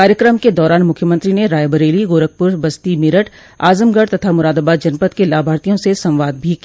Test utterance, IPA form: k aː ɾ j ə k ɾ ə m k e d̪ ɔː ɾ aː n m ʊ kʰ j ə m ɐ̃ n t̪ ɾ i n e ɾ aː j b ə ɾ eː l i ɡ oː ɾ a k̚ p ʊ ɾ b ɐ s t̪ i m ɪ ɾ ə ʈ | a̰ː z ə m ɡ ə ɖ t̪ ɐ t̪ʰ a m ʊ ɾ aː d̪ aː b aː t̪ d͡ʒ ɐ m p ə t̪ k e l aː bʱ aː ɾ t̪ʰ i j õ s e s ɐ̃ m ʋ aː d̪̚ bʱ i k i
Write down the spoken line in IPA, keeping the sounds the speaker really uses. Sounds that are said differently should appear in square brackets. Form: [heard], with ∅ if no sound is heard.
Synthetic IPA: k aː ɾ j ə k ɾ ə m k e d̪ ɔː ɾ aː n m ʊ kʰ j ə m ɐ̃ n t̪ ɾ i n e ɾ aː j b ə ɾ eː l i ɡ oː ɾ [ə] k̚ p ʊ ɾ b ɐ s t̪ i m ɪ ɾ ə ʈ | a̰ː z ə m ɡ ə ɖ t̪ ɐ t̪ʰ a m ʊ ɾ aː d̪ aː b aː t̪ d͡ʒ ɐ [n] p ə t̪ k e l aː bʱ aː ɾ [t̪] i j õ s e s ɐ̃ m ʋ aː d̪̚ bʱ i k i